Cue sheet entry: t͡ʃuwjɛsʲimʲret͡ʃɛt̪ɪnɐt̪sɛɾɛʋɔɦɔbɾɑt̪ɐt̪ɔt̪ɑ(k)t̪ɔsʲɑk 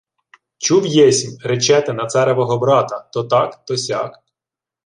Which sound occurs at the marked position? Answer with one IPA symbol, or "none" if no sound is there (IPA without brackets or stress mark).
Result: k